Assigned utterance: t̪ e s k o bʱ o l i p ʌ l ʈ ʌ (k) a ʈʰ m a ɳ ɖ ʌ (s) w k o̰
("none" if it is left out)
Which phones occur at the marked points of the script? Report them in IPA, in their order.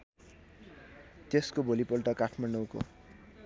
k, none

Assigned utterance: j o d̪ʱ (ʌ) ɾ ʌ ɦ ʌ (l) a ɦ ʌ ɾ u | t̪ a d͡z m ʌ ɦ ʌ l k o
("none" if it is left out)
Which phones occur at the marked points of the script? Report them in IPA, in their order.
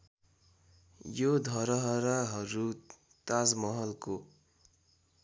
ʌ, ɾ

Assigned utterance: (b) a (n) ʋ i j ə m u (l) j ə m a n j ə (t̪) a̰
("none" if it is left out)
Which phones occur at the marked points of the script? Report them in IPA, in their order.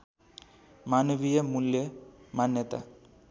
m, n, l, t̪

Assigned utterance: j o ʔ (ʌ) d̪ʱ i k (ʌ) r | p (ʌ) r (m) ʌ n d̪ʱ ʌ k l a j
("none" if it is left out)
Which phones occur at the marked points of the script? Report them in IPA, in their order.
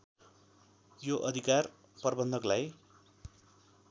ʌ, a, ʌ, b

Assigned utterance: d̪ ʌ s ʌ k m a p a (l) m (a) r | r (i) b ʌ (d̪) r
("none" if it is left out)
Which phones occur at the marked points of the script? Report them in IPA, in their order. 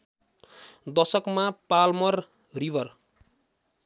l, ʌ, i, none

